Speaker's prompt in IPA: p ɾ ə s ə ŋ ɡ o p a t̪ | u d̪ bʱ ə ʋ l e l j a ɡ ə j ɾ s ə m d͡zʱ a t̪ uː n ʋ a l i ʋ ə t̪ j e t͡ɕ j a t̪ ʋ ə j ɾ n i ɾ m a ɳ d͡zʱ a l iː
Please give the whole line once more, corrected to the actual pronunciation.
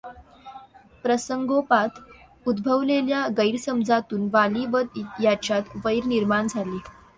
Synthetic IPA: p ɾ ə s ə ŋ ɡ o p a t̪ | u d̪ bʱ ə ʋ l e l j a ɡ ə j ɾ s ə m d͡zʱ a t̪ uː n ʋ a l i ʋ ə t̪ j a t͡ɕ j a t̪ ʋ ə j ɾ n i ɾ m a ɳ d͡zʱ a l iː